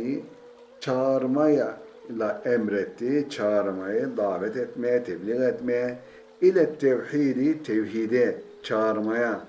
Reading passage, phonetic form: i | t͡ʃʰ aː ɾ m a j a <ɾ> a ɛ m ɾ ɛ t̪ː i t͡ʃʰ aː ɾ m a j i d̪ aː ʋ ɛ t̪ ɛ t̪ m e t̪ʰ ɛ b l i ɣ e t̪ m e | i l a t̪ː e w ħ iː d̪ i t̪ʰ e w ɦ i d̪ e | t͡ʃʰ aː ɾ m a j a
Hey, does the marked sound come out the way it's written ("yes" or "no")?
no